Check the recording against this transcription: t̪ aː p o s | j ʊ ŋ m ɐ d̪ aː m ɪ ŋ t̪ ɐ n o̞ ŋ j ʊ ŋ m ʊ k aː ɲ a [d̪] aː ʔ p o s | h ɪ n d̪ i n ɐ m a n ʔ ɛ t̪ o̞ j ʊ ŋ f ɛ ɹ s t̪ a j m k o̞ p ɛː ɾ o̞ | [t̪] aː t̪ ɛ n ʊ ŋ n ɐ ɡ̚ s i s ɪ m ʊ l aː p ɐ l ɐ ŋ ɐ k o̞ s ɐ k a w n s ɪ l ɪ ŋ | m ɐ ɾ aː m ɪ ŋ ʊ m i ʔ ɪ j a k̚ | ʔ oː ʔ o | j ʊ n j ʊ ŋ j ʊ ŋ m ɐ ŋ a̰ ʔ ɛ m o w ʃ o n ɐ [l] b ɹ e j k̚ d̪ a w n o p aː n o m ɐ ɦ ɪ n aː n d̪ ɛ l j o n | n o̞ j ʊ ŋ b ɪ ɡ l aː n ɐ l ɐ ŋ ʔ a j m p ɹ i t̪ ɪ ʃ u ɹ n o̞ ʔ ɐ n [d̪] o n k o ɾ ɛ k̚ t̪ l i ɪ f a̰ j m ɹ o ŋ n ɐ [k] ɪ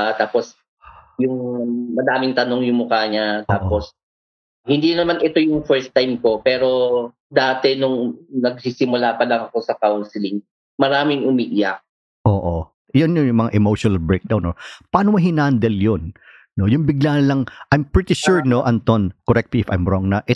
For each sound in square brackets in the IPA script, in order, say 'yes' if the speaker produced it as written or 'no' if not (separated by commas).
no, no, yes, no, no